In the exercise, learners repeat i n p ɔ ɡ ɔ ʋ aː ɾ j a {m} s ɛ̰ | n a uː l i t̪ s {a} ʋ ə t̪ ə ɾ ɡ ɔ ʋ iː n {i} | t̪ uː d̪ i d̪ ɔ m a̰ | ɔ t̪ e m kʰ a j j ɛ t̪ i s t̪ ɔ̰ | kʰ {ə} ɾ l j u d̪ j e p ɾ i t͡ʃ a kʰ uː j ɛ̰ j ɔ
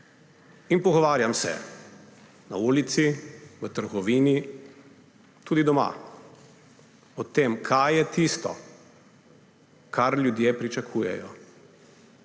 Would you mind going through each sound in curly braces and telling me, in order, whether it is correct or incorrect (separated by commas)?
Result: correct, incorrect, correct, incorrect